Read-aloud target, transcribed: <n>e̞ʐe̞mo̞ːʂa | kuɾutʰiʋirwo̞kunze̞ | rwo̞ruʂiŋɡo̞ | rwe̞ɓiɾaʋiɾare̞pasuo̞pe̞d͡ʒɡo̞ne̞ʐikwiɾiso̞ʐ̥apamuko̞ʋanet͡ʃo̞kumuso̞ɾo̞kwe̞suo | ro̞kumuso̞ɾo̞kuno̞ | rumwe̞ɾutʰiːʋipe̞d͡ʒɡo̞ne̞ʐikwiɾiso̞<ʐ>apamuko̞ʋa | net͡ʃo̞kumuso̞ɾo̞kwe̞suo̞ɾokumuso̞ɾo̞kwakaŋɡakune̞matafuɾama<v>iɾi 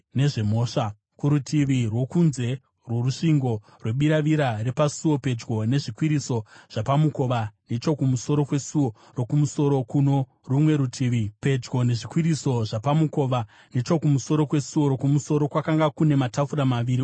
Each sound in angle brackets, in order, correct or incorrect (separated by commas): correct, correct, incorrect